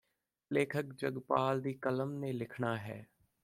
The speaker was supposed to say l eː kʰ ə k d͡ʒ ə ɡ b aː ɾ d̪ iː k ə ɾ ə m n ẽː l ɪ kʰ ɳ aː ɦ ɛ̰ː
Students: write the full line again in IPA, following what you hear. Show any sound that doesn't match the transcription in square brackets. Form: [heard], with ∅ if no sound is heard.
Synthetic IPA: l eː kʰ ə k d͡ʒ ə ɡ [p] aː [l] d̪ iː k ə [l] ə m n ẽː l ɪ kʰ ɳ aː ɦ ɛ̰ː